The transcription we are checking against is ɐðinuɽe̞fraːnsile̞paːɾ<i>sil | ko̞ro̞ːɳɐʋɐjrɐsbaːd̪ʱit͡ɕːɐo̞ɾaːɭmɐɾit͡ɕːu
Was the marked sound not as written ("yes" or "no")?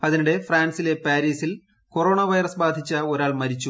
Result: yes